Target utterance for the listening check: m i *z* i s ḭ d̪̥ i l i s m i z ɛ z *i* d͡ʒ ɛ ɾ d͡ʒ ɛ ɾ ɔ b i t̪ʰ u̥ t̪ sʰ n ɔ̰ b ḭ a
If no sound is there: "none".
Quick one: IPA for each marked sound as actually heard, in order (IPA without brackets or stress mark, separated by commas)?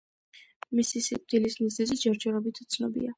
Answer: s, i